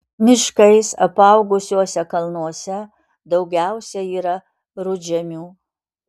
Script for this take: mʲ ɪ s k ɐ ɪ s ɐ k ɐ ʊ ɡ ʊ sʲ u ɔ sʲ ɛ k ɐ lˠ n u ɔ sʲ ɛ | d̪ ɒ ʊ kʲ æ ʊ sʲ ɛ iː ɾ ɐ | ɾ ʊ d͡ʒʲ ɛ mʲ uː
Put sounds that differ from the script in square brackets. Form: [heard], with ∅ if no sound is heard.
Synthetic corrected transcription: mʲ ɪ [ʃ] k ɐ ɪ s ɐ [p] ɐ ʊ ɡ ʊ sʲ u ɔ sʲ ɛ k ɐ lˠ n u ɔ sʲ ɛ | d̪ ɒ ʊ [ɡʲ] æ ʊ sʲ ɛ iː ɾ ɐ | ɾ ʊ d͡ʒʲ ɛ mʲ uː